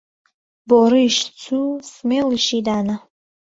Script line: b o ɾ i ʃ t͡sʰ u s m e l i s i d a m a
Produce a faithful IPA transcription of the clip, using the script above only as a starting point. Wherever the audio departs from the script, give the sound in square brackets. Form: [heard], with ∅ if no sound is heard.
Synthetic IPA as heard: b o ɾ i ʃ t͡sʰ u s m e l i [ʃ] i d a [n] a